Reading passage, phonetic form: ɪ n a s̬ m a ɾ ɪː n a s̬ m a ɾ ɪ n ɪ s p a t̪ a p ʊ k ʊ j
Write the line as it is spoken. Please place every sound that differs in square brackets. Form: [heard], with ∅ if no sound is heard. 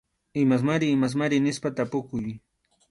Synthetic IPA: ɪ [m] a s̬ m a ɾ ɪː [m] a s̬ m a ɾ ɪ n ɪ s p a t̪ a p ʊ k ʊ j